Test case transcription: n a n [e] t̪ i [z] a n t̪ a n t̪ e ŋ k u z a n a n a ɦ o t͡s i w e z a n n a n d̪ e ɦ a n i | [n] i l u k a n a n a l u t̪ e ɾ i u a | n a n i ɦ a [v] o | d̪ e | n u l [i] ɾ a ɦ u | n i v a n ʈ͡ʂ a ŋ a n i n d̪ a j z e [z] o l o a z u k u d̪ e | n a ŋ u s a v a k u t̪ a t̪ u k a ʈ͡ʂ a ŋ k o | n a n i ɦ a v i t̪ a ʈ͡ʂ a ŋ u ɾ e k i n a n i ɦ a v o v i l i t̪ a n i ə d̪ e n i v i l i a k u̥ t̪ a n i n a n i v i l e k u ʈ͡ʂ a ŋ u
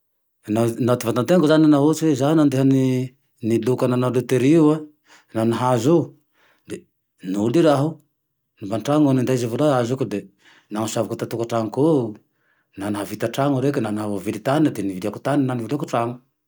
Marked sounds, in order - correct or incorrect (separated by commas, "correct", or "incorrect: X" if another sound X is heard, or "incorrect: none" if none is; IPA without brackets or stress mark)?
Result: incorrect: a, incorrect: v, correct, incorrect: z, correct, incorrect: v